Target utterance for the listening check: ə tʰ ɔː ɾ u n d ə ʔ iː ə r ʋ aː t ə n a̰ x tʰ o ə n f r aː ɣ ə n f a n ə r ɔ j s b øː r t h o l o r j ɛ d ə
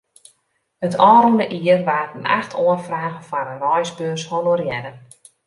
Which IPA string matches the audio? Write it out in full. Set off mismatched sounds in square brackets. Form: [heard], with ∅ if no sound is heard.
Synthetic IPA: ə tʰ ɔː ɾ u n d ə ʔ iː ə r ʋ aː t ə n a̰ x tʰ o ə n f r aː ɣ ə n f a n ə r ɔ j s b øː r [s] h o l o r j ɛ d ə